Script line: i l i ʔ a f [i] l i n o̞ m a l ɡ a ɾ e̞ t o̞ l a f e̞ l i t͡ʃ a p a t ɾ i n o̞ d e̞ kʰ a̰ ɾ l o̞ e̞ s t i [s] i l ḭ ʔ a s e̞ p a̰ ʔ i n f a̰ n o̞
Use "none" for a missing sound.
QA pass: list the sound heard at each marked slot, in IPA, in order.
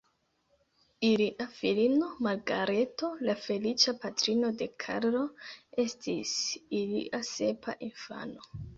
i, s

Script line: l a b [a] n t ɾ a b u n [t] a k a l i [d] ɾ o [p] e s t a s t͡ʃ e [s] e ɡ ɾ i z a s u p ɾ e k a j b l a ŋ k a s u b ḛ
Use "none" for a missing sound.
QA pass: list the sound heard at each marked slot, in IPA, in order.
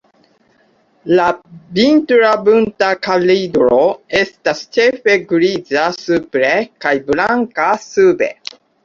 i, t, d, none, f

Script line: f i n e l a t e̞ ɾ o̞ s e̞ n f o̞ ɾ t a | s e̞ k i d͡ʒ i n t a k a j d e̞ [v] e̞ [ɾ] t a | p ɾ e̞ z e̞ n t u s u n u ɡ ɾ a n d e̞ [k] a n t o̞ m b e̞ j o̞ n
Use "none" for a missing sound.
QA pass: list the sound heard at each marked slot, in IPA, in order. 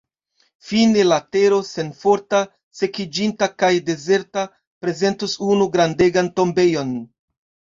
z, ɾ, ɡ

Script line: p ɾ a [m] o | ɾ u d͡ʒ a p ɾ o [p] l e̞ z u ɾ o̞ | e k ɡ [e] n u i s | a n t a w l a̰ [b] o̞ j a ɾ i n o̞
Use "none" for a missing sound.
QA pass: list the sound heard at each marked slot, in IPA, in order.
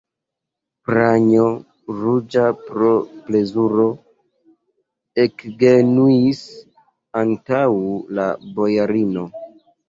ɲ, p, e, b

